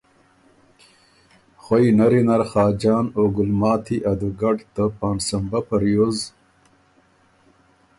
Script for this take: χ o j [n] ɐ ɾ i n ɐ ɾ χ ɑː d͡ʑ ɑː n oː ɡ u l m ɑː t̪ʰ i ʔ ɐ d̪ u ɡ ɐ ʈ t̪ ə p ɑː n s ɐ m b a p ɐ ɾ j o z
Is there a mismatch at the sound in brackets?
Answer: no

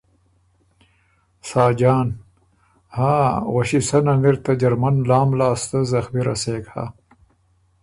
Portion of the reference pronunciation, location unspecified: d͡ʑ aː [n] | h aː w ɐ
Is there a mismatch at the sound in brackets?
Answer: no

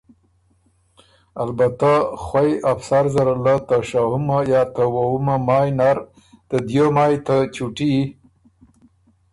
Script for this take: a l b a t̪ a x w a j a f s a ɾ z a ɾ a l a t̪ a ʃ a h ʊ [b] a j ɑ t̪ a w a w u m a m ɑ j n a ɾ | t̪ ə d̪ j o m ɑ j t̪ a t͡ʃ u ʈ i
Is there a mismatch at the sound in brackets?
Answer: yes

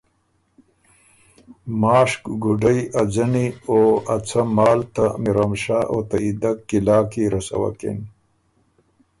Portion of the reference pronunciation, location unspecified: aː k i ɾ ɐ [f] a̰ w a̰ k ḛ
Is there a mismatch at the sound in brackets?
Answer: yes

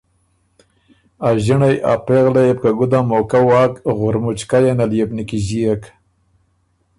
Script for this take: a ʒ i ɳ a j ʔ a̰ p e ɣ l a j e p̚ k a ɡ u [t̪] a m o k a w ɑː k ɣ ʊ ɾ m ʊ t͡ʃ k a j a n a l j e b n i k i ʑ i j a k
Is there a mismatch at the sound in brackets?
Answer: yes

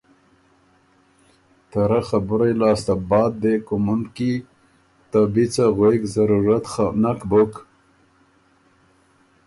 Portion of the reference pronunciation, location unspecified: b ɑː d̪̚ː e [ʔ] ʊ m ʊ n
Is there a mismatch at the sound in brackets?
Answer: yes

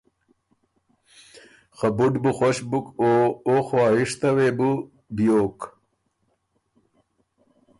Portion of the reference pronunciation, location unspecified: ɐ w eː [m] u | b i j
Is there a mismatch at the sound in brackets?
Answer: yes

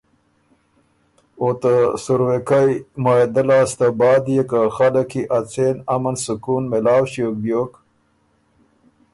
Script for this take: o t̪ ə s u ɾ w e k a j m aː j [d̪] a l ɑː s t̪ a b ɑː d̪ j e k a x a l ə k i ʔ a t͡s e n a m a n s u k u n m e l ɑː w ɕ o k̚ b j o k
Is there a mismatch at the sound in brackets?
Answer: no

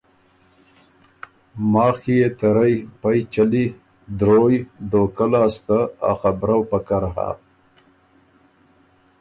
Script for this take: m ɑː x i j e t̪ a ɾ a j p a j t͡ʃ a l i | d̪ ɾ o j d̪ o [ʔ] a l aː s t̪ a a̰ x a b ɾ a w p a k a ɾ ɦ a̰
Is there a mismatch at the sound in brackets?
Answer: yes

